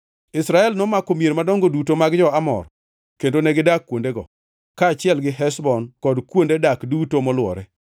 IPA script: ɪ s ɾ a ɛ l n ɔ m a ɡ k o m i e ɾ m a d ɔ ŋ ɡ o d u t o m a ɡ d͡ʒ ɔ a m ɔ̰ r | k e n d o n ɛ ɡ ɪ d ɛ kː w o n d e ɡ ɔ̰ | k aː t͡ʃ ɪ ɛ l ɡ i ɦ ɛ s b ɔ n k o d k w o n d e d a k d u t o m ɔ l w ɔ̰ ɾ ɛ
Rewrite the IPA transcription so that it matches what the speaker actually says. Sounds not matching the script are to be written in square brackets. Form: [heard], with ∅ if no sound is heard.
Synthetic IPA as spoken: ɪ s ɾ a ɛ l n ɔ m a [∅] k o m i e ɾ m a d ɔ ŋ ɡ o d u t o m a ɡ d͡ʒ ɔ a m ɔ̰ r | k e n d o n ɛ ɡ ɪ d [a] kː w o n d e ɡ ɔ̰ | k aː t͡ʃ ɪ ɛ l ɡ [ɪ] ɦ ɛ s b ɔ n k [ɔ] d k w o n d e d a k d u t o m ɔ l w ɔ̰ ɾ ɛ

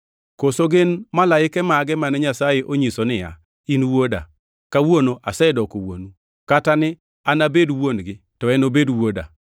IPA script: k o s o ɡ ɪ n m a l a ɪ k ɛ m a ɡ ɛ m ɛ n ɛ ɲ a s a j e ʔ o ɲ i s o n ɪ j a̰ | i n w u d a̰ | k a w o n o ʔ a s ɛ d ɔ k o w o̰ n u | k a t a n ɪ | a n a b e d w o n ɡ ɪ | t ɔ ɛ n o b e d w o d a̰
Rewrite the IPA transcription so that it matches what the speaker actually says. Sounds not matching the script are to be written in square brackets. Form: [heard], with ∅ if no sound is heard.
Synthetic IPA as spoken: k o s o ɡ ɪ n m a l a ɪ k ɛ m a ɡ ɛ m [a] n ɛ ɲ a s a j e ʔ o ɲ i s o n ɪ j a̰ | i n w [o] d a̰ | k a w o n o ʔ a s ɛ d ɔ k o w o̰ n u | k a t a n ɪ | a n a b e d w o n ɡ ɪ | t ɔ ɛ n o b e d w o d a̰

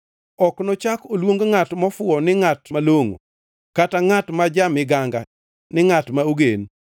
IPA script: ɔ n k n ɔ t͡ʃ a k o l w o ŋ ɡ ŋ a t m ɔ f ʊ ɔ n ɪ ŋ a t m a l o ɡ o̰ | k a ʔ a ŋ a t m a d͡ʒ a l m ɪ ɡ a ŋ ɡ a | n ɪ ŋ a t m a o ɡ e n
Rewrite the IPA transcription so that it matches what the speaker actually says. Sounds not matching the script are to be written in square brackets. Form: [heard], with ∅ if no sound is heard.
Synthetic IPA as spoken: ɔ [∅] k n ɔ t͡ʃ a k o l w o ŋ ɡ ŋ a t m ɔ f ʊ ɔ n ɪ ŋ a t m a l o [ŋ] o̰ | k a [t] a ŋ a t m a d͡ʒ a [∅] m ɪ ɡ a ŋ ɡ a | n ɪ ŋ a t m a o ɡ e n

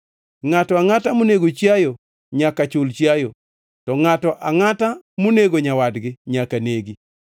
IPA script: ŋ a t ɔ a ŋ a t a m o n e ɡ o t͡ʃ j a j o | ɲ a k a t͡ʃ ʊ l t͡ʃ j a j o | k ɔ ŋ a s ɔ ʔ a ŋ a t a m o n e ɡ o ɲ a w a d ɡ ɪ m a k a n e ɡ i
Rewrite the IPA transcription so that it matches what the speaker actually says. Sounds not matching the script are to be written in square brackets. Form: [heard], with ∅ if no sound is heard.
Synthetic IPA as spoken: ŋ a t ɔ a ŋ a t a m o n e ɡ o t͡ʃ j a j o | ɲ a k a t͡ʃ ʊ l t͡ʃ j a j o | [t] ɔ ŋ a [t] ɔ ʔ a ŋ a t a m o n e ɡ o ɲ a w a d ɡ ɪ [ɲ] a k a n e ɡ i

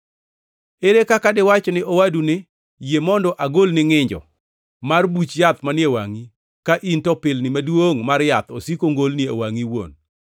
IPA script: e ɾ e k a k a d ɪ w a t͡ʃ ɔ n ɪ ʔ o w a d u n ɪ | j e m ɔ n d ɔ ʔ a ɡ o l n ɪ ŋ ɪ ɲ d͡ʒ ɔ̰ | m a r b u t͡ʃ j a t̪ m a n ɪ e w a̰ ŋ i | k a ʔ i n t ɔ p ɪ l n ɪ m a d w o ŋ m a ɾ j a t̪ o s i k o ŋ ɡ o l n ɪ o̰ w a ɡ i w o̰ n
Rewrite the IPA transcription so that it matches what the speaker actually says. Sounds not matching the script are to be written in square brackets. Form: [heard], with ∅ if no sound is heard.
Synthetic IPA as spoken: e ɾ e k a k a d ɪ w a t͡ʃ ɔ n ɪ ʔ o w a d u n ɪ | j e m ɔ n d ɔ ʔ a ɡ o l n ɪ ŋ ɪ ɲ d͡ʒ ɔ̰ | m a r b u t͡ʃ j a t̪ m a n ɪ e w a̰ ŋ i | k a ʔ i n t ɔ p ɪ l n ɪ m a d w o ŋ m a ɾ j a t̪ o s i k o ŋ ɡ o l n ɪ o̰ w a [ŋ] i w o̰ n

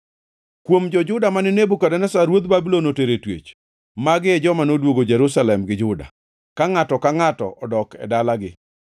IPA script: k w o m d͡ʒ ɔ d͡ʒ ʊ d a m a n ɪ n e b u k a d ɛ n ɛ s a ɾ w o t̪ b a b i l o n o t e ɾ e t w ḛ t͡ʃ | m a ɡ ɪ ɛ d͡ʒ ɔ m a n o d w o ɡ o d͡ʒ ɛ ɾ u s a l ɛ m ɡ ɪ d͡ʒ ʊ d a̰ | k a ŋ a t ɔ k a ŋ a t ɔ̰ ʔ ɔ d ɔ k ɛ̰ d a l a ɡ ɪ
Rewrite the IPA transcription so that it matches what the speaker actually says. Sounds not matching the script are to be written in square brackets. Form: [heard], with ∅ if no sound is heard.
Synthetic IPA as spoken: k w o m d͡ʒ ɔ d͡ʒ ʊ d a m a n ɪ n e b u k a d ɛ n ɛ s a ɾ w o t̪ b a b i l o n o t e ɾ e t w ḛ t͡ʃ | m a ɡ ɪ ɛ d͡ʒ ɔ m a n o d w o ɡ o d͡ʒ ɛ ɾ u s a l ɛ m ɡ ɪ d͡ʒ ʊ d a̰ | k a ŋ a t ɔ k a ŋ a t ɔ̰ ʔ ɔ d ɔ k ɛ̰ d a l a ɡ ɪ

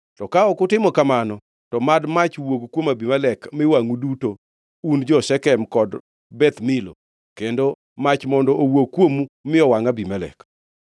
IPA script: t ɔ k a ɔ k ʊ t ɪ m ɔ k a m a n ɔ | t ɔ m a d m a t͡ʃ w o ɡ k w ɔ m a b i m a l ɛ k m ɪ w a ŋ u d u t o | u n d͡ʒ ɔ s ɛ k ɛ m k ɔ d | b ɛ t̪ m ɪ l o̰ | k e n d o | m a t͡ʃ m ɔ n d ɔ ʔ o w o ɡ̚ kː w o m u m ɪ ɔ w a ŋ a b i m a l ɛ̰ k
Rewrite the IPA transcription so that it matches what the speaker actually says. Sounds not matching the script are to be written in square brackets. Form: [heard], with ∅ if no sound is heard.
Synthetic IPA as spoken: t ɔ k a ɔ k ʊ t ɪ m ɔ k a m a n ɔ | t ɔ m a d m a t͡ʃ w o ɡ k w [o] m a b i m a l ɛ k m ɪ w a ŋ u d u t o | u n d͡ʒ ɔ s ɛ k ɛ m k ɔ d | b ɛ t̪ m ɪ l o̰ | k e n d o | m a t͡ʃ m ɔ n d ɔ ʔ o w o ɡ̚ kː w o m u m ɪ ɔ w a ŋ a b i m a l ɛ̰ k

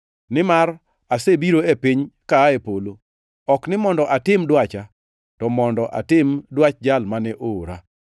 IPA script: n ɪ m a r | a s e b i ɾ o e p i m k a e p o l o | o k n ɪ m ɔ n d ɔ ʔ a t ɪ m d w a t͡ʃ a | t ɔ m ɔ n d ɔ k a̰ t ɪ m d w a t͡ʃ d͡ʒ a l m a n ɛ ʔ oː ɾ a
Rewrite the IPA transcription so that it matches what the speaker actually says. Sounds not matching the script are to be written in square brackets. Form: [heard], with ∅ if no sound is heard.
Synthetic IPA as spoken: n ɪ m a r | a s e b i ɾ o e p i [ɲ] k a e p o l o | [ɔ] k n ɪ m ɔ n d ɔ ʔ a t ɪ m d w a t͡ʃ a | t ɔ m ɔ n d ɔ [ʔ] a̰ t ɪ m d w a t͡ʃ d͡ʒ a l m a n ɛ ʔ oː ɾ a

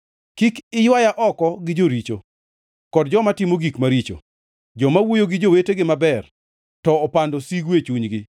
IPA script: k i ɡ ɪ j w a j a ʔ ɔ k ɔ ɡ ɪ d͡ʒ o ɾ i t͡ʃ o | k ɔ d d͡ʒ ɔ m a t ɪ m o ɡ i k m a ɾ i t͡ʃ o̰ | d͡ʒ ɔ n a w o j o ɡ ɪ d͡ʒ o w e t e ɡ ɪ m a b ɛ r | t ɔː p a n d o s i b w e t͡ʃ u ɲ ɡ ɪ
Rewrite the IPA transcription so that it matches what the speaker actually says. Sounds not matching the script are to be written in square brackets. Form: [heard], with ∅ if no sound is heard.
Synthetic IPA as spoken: k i [k] ɪ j w a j a ʔ ɔ k ɔ ɡ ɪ d͡ʒ o ɾ i t͡ʃ o | k ɔ d d͡ʒ ɔ m a t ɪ m o ɡ i k m a ɾ i t͡ʃ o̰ | d͡ʒ ɔ [m] a w o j o ɡ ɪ d͡ʒ o w e t e ɡ ɪ m a b ɛ r | t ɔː p a n d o s i [ɡ] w e t͡ʃ u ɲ ɡ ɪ

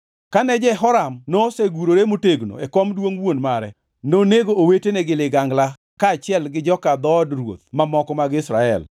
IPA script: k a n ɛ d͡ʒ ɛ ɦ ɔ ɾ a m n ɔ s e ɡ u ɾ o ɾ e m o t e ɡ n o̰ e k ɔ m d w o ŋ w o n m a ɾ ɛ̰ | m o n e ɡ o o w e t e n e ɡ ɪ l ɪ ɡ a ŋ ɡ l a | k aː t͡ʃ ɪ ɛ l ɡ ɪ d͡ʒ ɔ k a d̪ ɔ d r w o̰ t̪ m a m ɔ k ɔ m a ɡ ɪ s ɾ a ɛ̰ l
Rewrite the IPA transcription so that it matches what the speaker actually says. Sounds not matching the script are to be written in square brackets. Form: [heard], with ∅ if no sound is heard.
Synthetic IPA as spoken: k a n ɛ d͡ʒ ɛ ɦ ɔ ɾ a m n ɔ s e ɡ u ɾ o ɾ e m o t e ɡ n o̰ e k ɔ m d w o ŋ w o n m a ɾ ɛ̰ | [n] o n e ɡ o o w e t e n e ɡ ɪ l ɪ ɡ a ŋ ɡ l a | k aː t͡ʃ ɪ ɛ l ɡ ɪ d͡ʒ ɔ k a d̪ ɔ d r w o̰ t̪ m a m ɔ k ɔ m a ɡ ɪ s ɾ a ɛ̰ l

